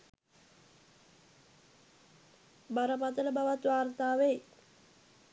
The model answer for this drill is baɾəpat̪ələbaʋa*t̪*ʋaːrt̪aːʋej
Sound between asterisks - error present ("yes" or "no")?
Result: no